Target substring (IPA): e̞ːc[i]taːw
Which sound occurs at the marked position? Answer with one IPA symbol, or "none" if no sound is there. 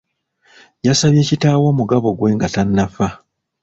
i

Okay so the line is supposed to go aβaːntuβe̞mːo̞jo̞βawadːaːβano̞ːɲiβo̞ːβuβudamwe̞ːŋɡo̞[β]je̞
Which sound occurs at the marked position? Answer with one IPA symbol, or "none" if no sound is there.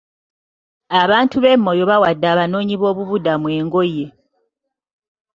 none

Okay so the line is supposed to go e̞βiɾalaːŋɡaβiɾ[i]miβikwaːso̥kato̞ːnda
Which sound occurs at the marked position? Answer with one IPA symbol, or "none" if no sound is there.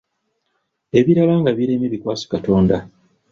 e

